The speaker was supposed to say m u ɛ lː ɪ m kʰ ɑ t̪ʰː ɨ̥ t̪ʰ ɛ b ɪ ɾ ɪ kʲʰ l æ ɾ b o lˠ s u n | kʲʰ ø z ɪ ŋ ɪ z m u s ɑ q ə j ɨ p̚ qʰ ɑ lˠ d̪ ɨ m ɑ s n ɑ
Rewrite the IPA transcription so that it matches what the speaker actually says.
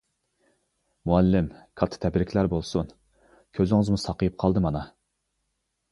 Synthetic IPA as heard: m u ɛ lː ɪ m kʰ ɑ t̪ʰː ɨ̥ t̪ʰ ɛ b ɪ ɾ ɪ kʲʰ l æ ɾ b o lˠ s u n | kʲʰ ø z ɪ ŋ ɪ z m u s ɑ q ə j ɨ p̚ qʰ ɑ lˠ d̪ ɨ m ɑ n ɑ